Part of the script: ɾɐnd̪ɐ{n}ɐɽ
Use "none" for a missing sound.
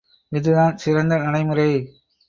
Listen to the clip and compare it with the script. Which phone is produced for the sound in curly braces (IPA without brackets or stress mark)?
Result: n